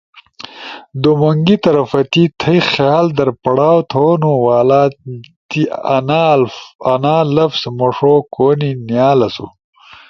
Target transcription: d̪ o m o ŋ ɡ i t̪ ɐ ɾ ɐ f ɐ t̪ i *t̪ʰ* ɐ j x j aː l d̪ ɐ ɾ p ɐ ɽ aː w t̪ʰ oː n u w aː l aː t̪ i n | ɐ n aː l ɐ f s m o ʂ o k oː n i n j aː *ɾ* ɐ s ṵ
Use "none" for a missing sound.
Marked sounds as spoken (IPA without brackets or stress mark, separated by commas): t̪ʰ, l